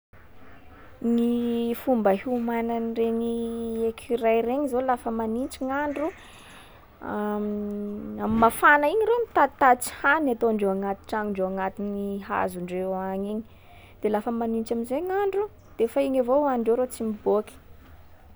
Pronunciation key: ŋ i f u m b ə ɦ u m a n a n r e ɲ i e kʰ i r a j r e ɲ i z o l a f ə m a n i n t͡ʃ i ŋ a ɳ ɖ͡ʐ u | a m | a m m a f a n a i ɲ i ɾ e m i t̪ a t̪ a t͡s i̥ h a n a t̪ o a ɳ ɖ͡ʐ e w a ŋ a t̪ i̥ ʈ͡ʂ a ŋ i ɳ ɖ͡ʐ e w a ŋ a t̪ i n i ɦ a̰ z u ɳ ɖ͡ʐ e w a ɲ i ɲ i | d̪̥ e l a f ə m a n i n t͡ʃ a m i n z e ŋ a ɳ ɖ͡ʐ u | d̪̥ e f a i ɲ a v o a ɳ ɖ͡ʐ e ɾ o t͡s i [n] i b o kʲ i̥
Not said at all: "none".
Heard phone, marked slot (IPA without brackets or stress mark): m